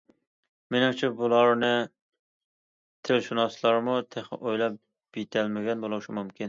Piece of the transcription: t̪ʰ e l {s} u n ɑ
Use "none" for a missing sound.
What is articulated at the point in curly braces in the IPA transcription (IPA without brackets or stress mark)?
ʃ